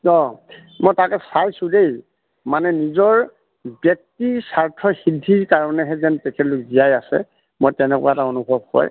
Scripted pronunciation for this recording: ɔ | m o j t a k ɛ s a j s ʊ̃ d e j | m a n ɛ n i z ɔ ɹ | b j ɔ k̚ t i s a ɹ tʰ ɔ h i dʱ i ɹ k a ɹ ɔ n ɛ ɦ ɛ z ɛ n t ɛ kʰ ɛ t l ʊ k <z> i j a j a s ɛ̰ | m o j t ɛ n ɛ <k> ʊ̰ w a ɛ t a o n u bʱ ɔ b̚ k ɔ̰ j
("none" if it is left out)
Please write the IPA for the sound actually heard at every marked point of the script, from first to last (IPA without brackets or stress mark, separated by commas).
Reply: z, k